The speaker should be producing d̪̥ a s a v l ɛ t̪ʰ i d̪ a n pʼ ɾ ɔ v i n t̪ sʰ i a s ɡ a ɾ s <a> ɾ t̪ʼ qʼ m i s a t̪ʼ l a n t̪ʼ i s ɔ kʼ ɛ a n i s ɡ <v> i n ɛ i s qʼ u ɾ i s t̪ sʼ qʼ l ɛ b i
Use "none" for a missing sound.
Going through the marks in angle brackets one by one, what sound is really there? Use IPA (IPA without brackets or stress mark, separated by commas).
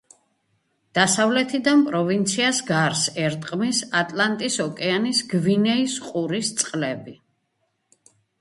ɛ, v